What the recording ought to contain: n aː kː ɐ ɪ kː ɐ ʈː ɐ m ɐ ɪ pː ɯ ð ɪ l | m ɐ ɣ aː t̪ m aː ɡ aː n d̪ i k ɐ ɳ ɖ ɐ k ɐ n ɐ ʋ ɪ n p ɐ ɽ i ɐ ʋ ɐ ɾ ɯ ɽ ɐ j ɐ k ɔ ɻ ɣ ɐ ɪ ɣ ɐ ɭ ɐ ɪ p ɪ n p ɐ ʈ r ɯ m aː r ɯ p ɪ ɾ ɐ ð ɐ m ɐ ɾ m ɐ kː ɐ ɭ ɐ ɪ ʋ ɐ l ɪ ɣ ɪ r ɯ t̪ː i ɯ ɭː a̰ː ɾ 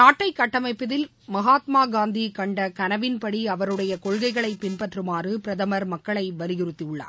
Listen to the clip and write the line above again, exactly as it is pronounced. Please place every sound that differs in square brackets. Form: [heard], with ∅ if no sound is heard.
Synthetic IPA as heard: n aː [ʈː] ɐ ɪ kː ɐ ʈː ɐ m ɐ ɪ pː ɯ ð ɪ l | m ɐ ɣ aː t̪ m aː ɡ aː n d̪ i k ɐ ɳ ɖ ɐ k ɐ n ɐ ʋ ɪ n p ɐ ɽ i ɐ ʋ ɐ ɾ ɯ ɽ ɐ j ɐ k ɔ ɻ ɣ ɐ ɪ ɣ ɐ ɭ ɐ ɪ p ɪ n p ɐ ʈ r ɯ m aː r ɯ p ɪ ɾ ɐ ð ɐ m ɐ ɾ m ɐ kː ɐ ɭ ɐ ɪ ʋ ɐ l ɪ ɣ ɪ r ɯ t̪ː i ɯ ɭː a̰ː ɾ

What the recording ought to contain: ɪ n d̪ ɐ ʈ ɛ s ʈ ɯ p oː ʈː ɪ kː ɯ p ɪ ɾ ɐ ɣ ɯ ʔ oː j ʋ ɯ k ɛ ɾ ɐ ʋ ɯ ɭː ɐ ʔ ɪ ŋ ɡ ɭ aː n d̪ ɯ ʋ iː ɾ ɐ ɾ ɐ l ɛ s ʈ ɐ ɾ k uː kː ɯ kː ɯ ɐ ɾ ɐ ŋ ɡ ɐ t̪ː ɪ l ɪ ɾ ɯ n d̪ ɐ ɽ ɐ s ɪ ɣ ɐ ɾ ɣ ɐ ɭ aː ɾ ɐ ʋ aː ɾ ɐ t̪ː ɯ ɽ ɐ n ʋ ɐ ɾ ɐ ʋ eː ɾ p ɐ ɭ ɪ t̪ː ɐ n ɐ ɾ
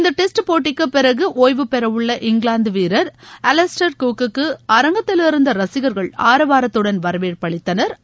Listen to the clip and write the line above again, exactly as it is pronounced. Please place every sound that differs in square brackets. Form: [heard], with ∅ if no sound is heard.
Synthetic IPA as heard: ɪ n d̪ ɐ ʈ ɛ s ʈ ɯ p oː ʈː ɪ kː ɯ p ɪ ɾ ɐ ɣ ɯ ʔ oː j ʋ ɯ [p] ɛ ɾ ɐ ʋ ɯ ɭː ɐ ʔ ɪ ŋ ɡ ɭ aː n d̪ ɯ ʋ iː ɾ ɐ ɾ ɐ l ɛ s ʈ ɐ ɾ k uː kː ɯ kː ɯ ɐ ɾ ɐ ŋ ɡ ɐ t̪ː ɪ l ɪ ɾ ɯ n d̪ ɐ [ɾ] ɐ s ɪ ɣ ɐ ɾ ɣ ɐ ɭ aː ɾ ɐ ʋ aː ɾ ɐ t̪ː ɯ ɽ ɐ n ʋ ɐ ɾ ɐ ʋ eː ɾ p ɐ ɭ ɪ t̪ː ɐ n ɐ ɾ

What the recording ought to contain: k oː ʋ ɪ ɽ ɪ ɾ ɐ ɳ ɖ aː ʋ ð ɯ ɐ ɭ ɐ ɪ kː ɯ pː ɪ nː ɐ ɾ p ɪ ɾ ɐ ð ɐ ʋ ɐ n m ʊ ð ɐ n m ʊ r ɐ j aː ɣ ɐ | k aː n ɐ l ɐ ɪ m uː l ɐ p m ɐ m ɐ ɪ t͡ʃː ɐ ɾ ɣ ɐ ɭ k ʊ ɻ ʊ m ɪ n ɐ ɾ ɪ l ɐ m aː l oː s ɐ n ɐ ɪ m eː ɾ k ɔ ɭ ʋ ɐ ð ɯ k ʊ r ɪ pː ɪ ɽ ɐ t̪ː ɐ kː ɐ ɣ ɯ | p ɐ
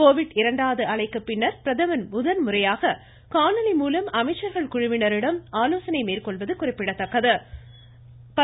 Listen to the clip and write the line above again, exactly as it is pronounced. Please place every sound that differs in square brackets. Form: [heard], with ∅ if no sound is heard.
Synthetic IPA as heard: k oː ʋ ɪ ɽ ɪ ɾ ɐ ɳ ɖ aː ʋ ð ɯ ɐ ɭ ɐ ɪ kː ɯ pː ɪ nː ɐ ɾ p ɪ ɾ ɐ ð ɐ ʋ ɐ n m ʊ ð ɐ n m ʊ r ɐ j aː ɣ ɐ | k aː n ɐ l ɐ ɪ m uː l ɐ [∅] m ɐ m ɐ ɪ t͡ʃː ɐ ɾ ɣ ɐ ɭ k ʊ ɻ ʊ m ɪ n ɐ ɾ ɪ [ɽ] ɐ m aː l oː s ɐ n ɐ ɪ m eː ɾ k ɔ ɭ ʋ ɐ ð ɯ k ʊ r ɪ pː ɪ ɽ ɐ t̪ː ɐ kː ɐ [ð] ɯ | p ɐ

